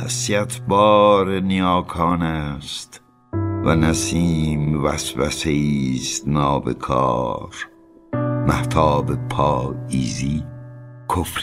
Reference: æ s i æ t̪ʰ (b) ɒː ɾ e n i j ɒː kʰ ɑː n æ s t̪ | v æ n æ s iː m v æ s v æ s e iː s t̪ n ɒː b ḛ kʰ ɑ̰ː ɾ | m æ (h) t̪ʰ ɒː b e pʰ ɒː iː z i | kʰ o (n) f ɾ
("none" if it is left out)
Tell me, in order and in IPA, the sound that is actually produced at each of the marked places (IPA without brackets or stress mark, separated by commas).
b, h, none